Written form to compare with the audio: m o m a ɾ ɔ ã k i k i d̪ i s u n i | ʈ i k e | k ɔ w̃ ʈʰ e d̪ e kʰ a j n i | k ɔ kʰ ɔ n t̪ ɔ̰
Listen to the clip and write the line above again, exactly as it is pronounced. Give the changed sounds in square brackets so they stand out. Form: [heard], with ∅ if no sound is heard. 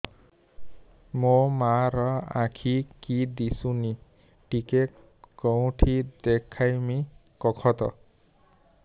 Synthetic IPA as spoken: m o m a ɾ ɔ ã [kʰ] i k i d̪ i s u n i | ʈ i k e | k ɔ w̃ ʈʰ [i] d̪ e kʰ a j [m] i | k ɔ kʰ ɔ [∅] t̪ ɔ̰

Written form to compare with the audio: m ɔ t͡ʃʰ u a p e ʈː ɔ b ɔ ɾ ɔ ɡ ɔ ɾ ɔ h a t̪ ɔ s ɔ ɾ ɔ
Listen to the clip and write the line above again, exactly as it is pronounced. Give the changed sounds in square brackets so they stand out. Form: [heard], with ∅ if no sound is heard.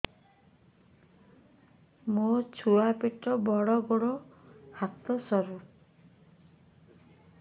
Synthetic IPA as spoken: m [o] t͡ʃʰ u a p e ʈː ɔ b ɔ [ɽ] ɔ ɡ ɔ [ɽ] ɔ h a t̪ ɔ s ɔ ɾ [u]

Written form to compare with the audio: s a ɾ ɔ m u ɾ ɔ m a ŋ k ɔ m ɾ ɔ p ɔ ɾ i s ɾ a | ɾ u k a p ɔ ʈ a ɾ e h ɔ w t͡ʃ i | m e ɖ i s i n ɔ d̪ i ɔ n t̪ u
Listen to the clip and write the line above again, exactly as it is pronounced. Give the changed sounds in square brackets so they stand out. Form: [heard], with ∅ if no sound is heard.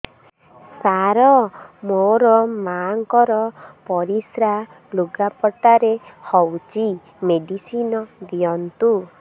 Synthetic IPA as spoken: s a ɾ ɔ m [o] ɾ ɔ m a ŋ k ɔ [∅] ɾ ɔ p ɔ ɾ i s ɾ a | [l] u [ɡ] a p ɔ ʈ a ɾ e h ɔ w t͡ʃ i | m e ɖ i s i n ɔ d̪ i ɔ n t̪ u

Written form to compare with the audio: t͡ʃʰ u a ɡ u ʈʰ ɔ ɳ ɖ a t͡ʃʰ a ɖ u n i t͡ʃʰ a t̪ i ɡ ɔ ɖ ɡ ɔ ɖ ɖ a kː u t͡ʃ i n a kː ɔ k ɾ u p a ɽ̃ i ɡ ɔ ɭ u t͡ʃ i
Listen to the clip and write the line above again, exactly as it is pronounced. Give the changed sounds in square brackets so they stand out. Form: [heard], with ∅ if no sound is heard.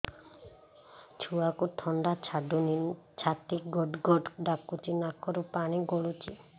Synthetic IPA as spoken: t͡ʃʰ u a [k] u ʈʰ ɔ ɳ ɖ a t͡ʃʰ a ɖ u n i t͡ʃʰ a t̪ i ɡ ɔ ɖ ɡ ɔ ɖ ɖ a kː u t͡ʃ i n a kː ɔ [∅] ɾ u p a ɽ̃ i ɡ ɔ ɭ u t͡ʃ i

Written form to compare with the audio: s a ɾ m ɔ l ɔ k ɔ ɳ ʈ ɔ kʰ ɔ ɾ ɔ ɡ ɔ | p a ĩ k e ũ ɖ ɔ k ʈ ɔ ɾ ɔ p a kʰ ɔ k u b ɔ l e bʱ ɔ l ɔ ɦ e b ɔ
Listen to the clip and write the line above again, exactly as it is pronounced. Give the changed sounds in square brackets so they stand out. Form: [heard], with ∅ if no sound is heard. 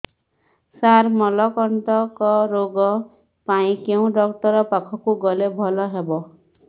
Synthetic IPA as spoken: s a ɾ m ɔ l ɔ k ɔ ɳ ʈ ɔ [k] ɔ ɾ [o] ɡ ɔ | p a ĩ k e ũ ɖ ɔ k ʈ ɔ ɾ ɔ p a kʰ ɔ k u [ɡ] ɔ l e bʱ ɔ l ɔ ɦ e b ɔ

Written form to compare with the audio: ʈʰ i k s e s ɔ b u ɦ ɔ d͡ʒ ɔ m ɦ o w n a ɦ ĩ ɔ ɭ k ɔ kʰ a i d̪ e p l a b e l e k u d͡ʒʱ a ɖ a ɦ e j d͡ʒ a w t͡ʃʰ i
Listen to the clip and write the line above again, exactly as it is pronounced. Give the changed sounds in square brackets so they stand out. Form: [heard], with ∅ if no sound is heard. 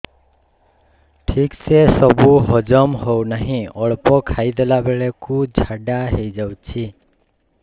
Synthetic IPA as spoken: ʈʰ i k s e s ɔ b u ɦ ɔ d͡ʒ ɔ m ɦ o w n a ɦ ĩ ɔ ɭ [p] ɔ kʰ a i d̪ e [∅] l a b e [ɭ] e k u d͡ʒʱ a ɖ a ɦ e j d͡ʒ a w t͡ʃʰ i

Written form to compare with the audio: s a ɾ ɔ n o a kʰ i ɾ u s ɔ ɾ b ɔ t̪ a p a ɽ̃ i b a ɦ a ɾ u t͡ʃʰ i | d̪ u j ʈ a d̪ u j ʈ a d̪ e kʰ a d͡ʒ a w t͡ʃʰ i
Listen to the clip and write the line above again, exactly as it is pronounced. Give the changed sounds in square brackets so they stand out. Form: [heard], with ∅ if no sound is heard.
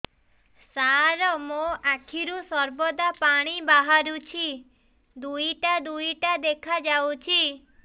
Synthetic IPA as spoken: s a ɾ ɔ [m] o a kʰ i ɾ u s ɔ ɾ b ɔ [d̪] a p a ɽ̃ i b a ɦ a ɾ u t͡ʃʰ i | d̪ u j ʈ a d̪ u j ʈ a d̪ e kʰ a d͡ʒ a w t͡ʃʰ i

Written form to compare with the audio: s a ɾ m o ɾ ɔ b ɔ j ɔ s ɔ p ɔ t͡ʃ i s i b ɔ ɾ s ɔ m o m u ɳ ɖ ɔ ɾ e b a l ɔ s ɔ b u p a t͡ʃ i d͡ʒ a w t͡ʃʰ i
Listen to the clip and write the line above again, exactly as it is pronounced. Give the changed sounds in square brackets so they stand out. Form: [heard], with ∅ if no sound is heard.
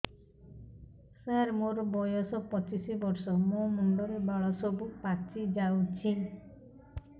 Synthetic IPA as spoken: s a ɾ m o ɾ ɔ b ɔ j ɔ s ɔ p ɔ t͡ʃ i s i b ɔ ɾ s ɔ m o m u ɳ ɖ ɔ ɾ e b a [ɭ] ɔ s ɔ b u p a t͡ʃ i d͡ʒ a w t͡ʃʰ i

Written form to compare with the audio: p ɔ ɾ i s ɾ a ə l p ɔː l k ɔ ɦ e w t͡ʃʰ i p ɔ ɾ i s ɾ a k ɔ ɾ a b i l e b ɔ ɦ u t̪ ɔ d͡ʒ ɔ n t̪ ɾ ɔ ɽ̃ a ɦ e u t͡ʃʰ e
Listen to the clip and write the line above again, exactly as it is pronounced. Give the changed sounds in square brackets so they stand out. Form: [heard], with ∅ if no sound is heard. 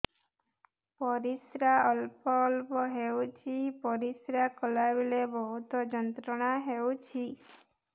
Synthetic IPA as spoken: p ɔ ɾ i s ɾ a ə l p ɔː l [p] ɔ ɦ e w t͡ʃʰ i p ɔ ɾ i s ɾ a k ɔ [l] a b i l e b ɔ ɦ u t̪ ɔ d͡ʒ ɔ n t̪ ɾ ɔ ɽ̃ a ɦ e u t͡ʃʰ [i]

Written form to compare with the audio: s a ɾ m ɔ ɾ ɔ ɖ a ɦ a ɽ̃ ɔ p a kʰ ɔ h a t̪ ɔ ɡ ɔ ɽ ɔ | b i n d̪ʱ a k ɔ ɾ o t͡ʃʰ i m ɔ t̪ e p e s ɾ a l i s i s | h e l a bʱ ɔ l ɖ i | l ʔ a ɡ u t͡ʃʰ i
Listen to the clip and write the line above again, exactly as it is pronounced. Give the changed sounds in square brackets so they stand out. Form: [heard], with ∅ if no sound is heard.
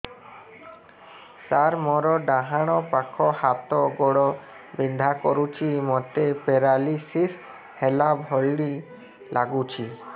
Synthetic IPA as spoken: s a ɾ m ɔ ɾ ɔ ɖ a ɦ a ɽ̃ ɔ p a kʰ ɔ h a t̪ ɔ ɡ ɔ ɽ ɔ | b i n d̪ʱ a k ɔ ɾ [u] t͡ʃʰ i m ɔ t̪ e p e [∅] ɾ a l i s i s | h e l a bʱ ɔ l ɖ i | l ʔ a ɡ u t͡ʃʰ i

